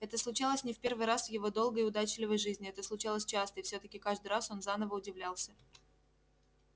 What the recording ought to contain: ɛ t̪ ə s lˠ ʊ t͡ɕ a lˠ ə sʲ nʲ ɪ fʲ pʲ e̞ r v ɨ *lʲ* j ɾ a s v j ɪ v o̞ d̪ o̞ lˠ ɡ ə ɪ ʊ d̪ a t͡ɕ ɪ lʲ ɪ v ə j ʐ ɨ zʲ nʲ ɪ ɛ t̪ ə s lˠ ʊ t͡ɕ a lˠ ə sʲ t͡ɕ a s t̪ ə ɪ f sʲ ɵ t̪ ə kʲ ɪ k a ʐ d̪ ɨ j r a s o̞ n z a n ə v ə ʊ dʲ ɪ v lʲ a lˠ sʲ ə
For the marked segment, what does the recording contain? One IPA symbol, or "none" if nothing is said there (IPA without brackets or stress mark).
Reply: none